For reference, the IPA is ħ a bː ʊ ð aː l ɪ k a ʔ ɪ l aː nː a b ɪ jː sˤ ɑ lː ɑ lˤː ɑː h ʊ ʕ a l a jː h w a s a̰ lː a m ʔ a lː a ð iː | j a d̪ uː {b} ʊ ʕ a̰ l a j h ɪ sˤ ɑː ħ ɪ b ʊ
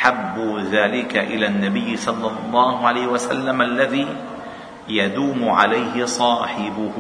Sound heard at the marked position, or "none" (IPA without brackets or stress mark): m